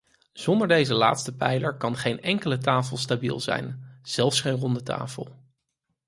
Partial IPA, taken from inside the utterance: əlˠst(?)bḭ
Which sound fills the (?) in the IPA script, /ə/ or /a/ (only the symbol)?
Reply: a